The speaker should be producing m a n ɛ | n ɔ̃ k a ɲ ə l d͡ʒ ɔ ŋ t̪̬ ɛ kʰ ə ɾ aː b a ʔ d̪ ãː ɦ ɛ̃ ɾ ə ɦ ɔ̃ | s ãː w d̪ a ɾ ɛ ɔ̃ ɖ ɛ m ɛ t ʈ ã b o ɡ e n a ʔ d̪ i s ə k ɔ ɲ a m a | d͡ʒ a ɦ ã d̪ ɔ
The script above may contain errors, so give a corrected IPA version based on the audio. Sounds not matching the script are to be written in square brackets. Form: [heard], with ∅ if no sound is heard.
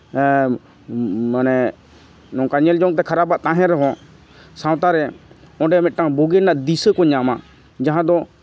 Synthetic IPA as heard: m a n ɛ | n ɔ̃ k a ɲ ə l d͡ʒ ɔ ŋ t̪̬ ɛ kʰ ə ɾ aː b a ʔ [t̪] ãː ɦ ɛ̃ ɾ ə ɦ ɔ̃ | s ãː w [t̪] a ɾ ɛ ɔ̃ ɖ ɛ m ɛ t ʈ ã b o ɡ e n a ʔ d̪ i s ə k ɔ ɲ a m a | d͡ʒ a ɦ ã d̪ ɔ